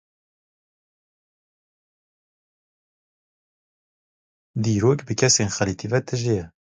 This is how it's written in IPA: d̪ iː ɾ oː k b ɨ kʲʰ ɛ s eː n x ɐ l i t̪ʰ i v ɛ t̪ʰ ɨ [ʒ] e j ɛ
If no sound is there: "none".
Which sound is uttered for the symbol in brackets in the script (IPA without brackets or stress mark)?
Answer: ʒ